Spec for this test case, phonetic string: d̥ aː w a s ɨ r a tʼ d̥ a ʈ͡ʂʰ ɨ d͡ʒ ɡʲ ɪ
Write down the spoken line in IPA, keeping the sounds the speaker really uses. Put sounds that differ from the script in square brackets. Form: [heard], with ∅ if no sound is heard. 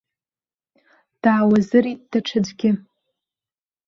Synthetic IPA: d̥ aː w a [z] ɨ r [i] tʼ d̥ a ʈ͡ʂʰ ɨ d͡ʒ ɡʲ ɪ